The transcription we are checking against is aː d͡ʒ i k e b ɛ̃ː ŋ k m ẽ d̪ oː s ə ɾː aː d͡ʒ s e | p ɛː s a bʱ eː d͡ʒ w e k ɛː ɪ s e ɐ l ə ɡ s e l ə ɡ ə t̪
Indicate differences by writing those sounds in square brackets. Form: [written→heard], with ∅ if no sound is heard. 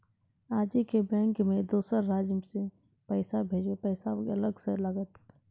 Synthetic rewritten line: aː d͡ʒ i k e b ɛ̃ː ŋ k m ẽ d̪ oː s ə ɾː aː d͡ʒ s e | p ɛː s a bʱ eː d͡ʒ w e [k→p] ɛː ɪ s [e→a] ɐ l ə ɡ s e l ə ɡ ə t̪